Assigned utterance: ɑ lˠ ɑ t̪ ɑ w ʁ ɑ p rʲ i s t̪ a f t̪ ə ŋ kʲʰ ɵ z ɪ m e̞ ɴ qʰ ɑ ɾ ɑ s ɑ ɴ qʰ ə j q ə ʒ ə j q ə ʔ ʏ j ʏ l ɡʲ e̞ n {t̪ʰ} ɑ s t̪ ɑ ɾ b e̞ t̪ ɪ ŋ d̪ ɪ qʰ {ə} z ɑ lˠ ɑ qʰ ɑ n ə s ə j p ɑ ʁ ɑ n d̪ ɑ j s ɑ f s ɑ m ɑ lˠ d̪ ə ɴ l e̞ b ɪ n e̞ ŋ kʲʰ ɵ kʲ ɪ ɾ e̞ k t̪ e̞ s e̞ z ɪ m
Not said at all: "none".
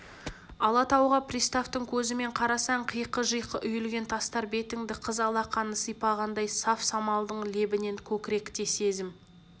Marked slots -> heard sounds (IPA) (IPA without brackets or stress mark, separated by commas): t̪ʰ, ə